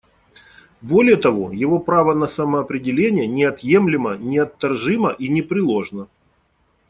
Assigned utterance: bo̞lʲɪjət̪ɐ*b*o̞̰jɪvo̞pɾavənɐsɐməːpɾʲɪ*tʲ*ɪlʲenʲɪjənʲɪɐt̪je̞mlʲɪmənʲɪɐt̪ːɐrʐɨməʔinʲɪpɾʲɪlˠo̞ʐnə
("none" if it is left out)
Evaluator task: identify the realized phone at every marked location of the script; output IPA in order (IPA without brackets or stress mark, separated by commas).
v, dʲ